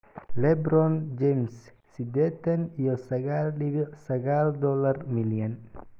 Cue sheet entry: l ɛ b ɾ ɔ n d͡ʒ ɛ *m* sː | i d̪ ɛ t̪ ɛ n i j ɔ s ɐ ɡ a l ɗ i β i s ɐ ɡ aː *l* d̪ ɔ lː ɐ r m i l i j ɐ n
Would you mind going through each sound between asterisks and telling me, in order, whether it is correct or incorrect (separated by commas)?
correct, correct